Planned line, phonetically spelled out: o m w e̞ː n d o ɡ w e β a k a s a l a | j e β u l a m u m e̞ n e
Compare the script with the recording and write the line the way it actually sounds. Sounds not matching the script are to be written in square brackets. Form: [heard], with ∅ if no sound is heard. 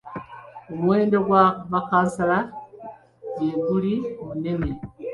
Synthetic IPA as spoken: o m w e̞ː n d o ɡ w [a] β a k a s a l a | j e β u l [i] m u [n] e̞ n e